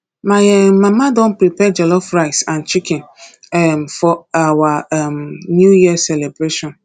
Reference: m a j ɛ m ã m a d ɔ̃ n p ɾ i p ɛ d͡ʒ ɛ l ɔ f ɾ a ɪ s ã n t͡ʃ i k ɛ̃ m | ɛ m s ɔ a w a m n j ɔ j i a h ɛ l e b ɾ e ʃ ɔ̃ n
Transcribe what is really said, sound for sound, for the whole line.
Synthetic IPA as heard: m a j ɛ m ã m a d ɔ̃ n p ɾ i p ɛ d͡ʒ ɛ l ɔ f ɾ a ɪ s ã n t͡ʃ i k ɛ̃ n | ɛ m f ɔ a w a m n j u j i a s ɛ l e b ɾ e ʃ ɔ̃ n